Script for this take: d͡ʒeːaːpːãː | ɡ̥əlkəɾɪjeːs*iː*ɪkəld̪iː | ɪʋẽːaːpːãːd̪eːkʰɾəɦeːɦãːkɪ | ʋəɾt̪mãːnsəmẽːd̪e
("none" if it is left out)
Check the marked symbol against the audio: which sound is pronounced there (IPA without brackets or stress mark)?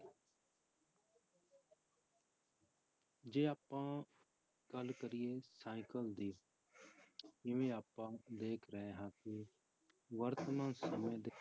aː